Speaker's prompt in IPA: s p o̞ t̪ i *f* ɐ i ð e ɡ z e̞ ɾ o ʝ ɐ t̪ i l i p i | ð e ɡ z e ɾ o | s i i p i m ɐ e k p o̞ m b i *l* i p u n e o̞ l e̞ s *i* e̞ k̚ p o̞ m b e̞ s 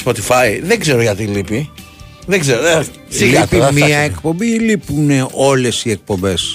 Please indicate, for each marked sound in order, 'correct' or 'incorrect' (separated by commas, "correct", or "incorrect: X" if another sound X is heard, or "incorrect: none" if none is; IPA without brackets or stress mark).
correct, correct, correct